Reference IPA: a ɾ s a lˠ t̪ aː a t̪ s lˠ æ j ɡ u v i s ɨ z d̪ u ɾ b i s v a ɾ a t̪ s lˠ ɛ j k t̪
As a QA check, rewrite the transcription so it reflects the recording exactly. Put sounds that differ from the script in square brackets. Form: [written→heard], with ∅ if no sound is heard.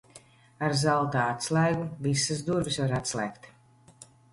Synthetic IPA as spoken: a ɾ [s→z] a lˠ t̪ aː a t̪ s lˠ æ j ɡ u v i s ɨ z d̪ u ɾ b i s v a ɾ a t̪ s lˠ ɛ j k t̪